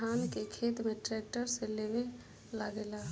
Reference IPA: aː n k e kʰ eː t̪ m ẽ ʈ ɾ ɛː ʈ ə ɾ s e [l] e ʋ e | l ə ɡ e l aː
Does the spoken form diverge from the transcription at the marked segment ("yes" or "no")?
no